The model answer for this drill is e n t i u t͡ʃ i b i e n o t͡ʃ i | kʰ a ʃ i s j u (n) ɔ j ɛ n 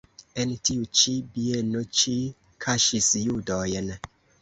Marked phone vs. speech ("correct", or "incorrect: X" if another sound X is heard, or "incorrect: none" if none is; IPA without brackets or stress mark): incorrect: d